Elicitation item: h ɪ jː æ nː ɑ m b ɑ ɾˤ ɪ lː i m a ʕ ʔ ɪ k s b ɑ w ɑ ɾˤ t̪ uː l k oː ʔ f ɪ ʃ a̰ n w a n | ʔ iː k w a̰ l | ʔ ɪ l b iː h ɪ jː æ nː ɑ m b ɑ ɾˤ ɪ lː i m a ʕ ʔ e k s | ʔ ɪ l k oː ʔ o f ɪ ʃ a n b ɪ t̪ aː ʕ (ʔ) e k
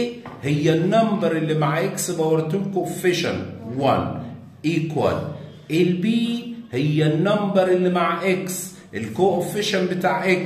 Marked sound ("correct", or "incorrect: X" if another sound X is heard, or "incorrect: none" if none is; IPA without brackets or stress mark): correct